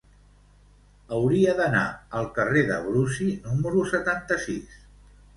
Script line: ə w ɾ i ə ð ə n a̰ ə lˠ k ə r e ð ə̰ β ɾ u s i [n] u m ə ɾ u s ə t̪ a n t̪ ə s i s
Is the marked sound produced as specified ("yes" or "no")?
yes